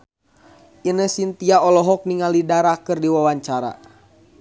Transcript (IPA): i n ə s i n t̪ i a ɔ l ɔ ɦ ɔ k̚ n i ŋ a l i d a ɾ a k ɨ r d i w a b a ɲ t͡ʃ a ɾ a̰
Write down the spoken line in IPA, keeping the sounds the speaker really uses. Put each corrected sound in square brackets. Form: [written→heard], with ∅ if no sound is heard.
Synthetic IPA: i n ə s i n t̪ i a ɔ l ɔ ɦ ɔ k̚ n i ŋ a l i d a ɾ a k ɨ r d i w a [b→w] a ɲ t͡ʃ a ɾ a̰

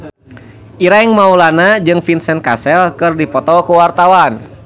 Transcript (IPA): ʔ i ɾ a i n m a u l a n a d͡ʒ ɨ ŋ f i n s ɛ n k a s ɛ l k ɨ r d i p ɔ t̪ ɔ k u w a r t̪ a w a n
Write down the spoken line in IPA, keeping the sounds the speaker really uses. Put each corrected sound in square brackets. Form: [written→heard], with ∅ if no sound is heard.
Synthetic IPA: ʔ i ɾ a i [n→ŋ] m a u l a n a d͡ʒ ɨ ŋ f i n s ɛ n k a s ɛ l k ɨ r d i p ɔ t̪ ɔ k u w a r t̪ a w a n

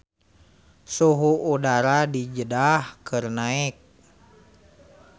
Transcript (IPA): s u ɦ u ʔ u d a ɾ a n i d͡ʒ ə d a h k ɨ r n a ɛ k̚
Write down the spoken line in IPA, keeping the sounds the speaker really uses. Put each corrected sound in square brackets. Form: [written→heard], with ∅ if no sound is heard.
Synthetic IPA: s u ɦ u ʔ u d a ɾ a [n→d] i d͡ʒ ə d a h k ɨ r n a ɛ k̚

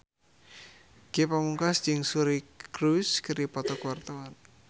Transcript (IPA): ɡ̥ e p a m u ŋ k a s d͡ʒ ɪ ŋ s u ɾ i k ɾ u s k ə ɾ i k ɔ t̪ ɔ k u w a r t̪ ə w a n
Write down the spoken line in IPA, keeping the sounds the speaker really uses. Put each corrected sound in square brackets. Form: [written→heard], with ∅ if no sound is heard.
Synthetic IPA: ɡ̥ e p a m u ŋ k a s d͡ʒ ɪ ŋ s u ɾ i k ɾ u s k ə ɾ i [k→p] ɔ t̪ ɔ k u w a r t̪ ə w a n

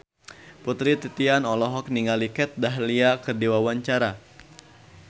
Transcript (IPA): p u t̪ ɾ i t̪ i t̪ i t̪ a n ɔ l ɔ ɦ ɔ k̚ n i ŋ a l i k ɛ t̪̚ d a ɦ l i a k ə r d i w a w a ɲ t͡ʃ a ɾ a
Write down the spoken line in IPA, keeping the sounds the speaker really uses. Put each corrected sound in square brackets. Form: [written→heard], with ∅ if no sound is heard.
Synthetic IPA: p u t̪ ɾ i t̪ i t̪ i [t̪→∅] a n ɔ l ɔ ɦ ɔ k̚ n i ŋ a l i k ɛ t̪̚ d a ɦ l i a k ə r d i w a w a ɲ t͡ʃ a ɾ a

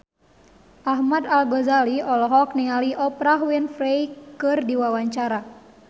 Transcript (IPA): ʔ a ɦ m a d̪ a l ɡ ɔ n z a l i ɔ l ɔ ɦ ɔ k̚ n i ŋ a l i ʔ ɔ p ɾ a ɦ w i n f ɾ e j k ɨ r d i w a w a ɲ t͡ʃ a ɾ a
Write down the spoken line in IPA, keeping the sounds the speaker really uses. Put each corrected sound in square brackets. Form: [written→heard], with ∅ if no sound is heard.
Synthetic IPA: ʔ a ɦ m a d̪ a l ɡ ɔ [n→∅] z a l i ɔ l ɔ ɦ ɔ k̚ n i ŋ a l i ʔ ɔ p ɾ a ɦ w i n f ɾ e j k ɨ r d i w a w a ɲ t͡ʃ a ɾ a

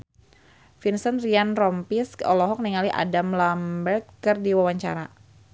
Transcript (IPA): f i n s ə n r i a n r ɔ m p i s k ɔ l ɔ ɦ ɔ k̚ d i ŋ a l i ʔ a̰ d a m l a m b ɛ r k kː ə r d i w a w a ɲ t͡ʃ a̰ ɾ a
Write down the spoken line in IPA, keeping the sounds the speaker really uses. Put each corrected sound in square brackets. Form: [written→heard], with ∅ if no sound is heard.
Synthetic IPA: f i n s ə n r i a n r ɔ m p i s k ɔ l ɔ ɦ ɔ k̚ [d→n] i ŋ a l i ʔ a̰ d a m l a m b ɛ r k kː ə r d i w a w a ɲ t͡ʃ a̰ ɾ a

